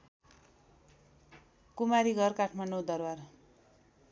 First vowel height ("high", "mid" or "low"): high